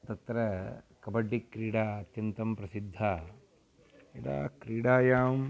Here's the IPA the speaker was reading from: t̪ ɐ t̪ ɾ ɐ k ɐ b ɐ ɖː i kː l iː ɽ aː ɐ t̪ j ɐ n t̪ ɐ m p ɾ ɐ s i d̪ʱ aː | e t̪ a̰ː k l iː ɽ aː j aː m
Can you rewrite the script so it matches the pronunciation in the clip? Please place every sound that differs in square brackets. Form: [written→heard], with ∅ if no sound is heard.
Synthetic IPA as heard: t̪ ɐ t̪ ɾ ɐ k ɐ b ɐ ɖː i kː [l→ɾ] iː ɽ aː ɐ t̪ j ɐ n t̪ ɐ m p ɾ ɐ s i [d̪ʱ→d̪ʱː] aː | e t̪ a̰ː k [l→ɾ] iː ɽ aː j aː m